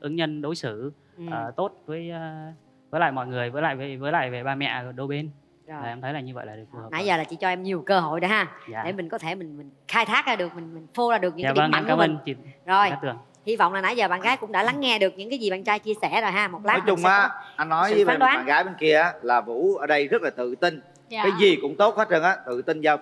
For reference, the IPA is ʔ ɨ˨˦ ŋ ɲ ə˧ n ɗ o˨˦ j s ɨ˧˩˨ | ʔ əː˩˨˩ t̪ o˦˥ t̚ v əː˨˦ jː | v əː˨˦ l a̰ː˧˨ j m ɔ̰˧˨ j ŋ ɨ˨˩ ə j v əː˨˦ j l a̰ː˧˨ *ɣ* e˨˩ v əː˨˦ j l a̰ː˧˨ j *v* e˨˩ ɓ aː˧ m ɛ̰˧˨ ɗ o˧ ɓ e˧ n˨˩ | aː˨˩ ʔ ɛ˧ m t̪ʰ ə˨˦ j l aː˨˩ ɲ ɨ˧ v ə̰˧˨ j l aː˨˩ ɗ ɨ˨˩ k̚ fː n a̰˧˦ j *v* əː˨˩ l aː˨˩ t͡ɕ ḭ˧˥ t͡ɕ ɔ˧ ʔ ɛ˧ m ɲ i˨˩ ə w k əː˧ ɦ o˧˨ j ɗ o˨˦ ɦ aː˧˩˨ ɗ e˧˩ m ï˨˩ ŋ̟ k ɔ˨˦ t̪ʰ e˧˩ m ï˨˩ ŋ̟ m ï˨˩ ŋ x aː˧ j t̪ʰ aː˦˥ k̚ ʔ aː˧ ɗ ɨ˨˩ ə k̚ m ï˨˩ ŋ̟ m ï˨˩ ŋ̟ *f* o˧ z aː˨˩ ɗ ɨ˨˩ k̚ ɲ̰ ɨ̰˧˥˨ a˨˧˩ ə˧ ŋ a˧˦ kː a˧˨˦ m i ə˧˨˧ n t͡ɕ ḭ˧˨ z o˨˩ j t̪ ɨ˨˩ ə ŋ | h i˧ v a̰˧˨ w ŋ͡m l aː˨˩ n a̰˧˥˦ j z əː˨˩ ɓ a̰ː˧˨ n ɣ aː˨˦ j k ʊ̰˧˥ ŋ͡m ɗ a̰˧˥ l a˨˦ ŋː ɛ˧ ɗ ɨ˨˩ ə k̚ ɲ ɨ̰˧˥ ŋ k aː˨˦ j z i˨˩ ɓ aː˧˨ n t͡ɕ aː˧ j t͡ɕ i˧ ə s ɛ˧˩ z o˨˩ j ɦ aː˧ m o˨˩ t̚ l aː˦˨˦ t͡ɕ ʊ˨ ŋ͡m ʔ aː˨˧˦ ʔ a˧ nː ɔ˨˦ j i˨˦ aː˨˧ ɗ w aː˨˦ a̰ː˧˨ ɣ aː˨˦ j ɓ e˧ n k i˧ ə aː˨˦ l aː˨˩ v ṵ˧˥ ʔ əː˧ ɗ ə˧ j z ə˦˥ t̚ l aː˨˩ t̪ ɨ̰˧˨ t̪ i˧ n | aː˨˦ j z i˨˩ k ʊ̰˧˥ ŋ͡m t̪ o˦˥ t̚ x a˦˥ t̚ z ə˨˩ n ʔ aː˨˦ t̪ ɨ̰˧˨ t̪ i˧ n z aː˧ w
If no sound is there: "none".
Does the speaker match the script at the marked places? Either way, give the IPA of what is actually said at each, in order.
v, v, z, f

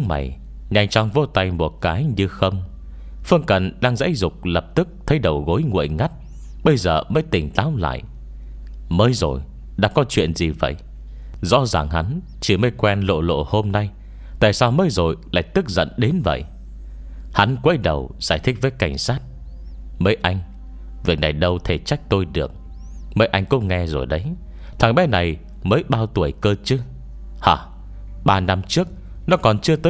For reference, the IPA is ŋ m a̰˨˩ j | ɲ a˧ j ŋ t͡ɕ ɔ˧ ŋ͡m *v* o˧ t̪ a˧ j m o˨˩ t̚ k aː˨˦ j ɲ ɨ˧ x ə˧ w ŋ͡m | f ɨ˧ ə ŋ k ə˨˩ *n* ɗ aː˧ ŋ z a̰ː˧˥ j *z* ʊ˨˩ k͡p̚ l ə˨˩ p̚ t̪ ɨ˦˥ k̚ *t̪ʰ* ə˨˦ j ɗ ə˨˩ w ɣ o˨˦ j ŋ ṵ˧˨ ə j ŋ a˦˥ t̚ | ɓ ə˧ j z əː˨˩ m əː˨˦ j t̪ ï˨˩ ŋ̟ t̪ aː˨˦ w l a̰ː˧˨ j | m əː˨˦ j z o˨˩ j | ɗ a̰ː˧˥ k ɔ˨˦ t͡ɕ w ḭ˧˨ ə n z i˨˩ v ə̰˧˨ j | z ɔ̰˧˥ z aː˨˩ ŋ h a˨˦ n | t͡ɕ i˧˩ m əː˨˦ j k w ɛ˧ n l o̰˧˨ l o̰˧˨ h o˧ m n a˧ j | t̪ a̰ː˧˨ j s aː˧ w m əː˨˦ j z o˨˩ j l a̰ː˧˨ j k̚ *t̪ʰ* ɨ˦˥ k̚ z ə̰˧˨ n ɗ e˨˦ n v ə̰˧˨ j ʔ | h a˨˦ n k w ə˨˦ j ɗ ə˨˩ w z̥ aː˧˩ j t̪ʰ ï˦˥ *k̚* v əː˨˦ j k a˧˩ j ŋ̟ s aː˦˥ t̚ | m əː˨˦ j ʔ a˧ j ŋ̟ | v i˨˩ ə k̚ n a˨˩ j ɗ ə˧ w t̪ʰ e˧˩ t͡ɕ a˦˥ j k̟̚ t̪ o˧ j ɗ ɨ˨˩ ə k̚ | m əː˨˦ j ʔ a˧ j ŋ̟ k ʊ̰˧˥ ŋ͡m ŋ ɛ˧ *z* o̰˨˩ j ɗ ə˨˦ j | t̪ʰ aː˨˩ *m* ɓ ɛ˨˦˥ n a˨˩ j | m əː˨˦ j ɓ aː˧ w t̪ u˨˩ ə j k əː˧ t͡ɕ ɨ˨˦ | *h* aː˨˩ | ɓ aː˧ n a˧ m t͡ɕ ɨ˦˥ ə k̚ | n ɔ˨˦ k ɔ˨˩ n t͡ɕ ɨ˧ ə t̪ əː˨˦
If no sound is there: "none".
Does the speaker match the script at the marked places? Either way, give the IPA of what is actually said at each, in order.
v, n, z, t̪ʰ, t̪, k̚, z, ŋ, h

